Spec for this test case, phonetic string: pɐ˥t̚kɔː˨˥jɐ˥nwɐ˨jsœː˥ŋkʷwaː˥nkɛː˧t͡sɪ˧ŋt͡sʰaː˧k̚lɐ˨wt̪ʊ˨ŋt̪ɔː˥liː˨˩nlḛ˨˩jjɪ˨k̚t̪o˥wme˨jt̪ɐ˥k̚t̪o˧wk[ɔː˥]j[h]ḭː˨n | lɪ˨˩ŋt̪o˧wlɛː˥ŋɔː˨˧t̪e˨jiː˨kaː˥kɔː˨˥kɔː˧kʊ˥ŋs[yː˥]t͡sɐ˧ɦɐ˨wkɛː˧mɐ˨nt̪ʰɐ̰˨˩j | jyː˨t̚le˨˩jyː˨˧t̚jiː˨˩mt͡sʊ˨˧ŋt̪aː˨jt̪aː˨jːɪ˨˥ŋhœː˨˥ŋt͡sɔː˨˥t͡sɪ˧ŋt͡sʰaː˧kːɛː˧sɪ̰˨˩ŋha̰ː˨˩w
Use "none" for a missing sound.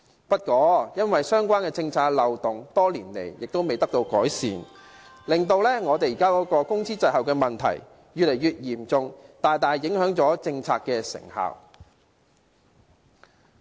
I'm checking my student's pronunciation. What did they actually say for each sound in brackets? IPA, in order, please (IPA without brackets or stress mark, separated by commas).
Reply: ɔː˨˥, s, iː˥